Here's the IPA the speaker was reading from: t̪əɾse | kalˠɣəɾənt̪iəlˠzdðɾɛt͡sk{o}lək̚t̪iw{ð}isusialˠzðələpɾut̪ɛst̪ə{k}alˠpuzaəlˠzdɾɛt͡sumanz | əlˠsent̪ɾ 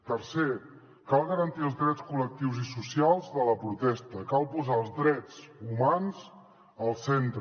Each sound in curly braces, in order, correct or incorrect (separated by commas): incorrect, incorrect, correct